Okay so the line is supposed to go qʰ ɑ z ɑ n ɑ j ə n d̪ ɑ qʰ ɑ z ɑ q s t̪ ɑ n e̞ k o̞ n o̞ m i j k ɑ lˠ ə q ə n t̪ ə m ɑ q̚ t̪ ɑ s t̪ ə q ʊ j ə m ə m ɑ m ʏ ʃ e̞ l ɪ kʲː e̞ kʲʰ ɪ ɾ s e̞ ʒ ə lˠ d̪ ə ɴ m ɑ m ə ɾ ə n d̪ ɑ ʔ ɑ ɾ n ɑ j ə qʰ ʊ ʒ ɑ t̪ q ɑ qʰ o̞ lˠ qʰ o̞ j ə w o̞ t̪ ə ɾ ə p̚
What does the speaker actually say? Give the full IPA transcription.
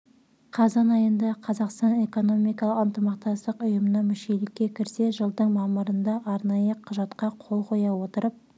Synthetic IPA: qʰ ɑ z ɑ n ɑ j ə n d̪ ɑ qʰ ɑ z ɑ q s t̪ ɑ n e̞ k o̞ n o̞ m i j k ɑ lˠ ə q ə n t̪ ə m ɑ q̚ t̪ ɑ s t̪ ə q ʊ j ə m ə n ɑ m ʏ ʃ e̞ l ɪ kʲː e̞ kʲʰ ɪ ɾ s e̞ ʒ ə lˠ d̪ ə ɴ m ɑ m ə ɾ ə n d̪ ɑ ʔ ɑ ɾ n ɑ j ə qʰ ʊ ʒ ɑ t̪ q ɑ qʰ o̞ lˠ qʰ o̞ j ɑ w o̞ t̪ ə ɾ ə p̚